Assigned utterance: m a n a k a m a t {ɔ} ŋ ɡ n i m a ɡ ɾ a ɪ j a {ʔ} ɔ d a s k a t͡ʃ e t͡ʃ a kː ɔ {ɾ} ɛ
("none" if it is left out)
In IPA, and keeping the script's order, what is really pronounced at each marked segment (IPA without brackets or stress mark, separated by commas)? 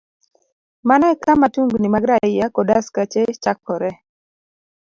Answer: u, k, ɾ